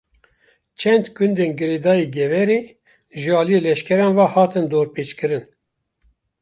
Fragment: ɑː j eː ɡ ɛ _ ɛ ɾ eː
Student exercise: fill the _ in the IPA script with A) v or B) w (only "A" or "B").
A